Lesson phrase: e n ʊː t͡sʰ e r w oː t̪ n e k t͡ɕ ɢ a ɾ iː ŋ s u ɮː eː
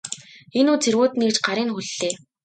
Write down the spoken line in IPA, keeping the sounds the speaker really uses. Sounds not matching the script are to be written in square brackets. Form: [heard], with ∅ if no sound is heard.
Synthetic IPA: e n [uː] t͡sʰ e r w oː t̪ n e k t͡ɕ ɢ a ɾ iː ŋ [x] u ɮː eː